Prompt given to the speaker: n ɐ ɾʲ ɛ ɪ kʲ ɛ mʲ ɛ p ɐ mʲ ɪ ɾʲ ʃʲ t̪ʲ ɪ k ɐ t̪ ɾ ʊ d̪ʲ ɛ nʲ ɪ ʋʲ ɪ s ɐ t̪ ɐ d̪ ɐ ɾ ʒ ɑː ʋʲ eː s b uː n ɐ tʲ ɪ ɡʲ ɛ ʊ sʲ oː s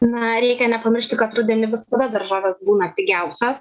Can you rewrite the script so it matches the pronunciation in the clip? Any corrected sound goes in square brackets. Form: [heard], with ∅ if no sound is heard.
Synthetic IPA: n ɐ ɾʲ ɛ ɪ kʲ ɛ [nʲ] ɛ p ɐ mʲ ɪ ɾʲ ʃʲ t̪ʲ ɪ k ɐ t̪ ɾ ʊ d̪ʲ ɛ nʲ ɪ ʋʲ ɪ s ɐ [d̪] ɐ d̪ ɐ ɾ ʒ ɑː ʋʲ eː s b uː n ɐ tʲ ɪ ɡʲ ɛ ʊ sʲ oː s